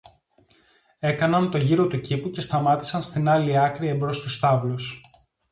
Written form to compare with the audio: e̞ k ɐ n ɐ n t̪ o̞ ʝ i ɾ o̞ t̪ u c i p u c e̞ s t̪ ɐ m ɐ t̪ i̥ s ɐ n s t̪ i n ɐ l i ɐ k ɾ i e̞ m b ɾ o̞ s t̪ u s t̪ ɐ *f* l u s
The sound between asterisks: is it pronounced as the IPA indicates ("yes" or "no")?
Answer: no